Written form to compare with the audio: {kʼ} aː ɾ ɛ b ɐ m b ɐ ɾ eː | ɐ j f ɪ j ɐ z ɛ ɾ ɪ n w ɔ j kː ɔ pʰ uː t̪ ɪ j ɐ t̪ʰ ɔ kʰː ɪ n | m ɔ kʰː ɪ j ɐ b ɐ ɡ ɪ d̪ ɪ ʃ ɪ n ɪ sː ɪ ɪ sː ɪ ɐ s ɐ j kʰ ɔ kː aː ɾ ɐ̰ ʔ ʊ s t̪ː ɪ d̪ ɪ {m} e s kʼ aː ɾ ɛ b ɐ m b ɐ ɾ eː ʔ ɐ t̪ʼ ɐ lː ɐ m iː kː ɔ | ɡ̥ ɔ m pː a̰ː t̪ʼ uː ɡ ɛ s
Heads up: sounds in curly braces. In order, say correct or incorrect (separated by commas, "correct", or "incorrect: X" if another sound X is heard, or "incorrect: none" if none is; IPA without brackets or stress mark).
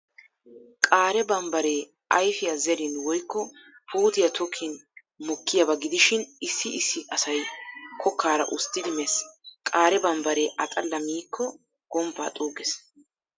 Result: correct, correct